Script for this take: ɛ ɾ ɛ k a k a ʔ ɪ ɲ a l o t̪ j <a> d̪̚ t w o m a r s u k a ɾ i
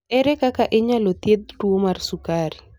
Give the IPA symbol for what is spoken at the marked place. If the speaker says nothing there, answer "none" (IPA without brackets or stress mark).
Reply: e